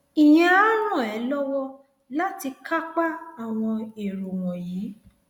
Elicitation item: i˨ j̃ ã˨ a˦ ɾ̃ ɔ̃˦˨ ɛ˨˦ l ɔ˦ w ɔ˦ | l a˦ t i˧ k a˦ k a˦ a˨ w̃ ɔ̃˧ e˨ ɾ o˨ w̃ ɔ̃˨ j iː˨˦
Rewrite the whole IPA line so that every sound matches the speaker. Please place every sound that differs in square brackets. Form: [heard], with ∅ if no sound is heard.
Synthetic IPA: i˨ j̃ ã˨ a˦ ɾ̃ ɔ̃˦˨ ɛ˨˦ l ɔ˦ w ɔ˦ | l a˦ t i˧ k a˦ [k͡p] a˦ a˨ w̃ ɔ̃˧ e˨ ɾ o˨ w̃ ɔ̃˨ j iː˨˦